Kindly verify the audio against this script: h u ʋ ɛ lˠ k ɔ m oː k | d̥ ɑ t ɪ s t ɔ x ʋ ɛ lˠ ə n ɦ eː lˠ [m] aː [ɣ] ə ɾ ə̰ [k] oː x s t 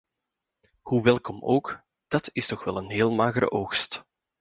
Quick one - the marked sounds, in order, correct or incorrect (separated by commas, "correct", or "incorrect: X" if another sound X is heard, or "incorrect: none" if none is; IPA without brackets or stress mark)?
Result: correct, correct, incorrect: ʔ